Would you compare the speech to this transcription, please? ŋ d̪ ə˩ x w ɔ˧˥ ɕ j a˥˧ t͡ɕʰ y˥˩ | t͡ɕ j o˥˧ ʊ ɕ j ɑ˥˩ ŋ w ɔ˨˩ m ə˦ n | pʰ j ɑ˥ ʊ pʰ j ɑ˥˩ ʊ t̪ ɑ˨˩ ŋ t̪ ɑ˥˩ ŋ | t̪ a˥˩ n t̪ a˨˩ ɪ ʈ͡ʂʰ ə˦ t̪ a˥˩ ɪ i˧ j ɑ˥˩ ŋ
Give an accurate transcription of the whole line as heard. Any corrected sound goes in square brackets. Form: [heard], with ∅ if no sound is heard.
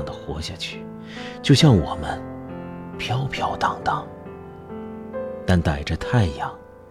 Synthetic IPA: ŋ d̪ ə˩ x w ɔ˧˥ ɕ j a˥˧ t͡ɕʰ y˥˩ | t͡ɕ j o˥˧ ʊ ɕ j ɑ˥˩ ŋ w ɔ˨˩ m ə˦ n | pʰ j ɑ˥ ʊ pʰ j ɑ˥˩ ʊ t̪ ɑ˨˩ ŋ t̪ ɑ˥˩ ŋ | t̪ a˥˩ n t̪ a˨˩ ɪ [ʈ͡ʂ] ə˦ [t̪ʰ] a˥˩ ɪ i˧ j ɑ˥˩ ŋ